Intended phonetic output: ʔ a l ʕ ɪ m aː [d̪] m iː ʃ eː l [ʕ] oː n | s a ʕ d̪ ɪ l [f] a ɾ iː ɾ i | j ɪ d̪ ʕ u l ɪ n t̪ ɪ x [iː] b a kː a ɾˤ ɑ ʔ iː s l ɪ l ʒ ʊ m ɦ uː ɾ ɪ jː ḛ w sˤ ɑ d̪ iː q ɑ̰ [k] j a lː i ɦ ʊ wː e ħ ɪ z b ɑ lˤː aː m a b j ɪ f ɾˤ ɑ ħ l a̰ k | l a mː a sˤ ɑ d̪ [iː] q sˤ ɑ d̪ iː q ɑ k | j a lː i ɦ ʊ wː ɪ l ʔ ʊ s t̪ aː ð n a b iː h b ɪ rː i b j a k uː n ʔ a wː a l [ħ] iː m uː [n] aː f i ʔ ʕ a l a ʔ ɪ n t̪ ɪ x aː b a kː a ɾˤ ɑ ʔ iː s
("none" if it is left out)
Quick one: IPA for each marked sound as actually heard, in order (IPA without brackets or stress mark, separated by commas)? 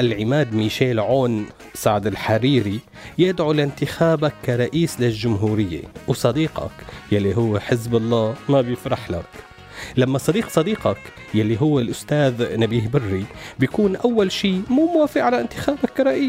d̪, ʕ, ħ, aː, k, iː, ʃ, m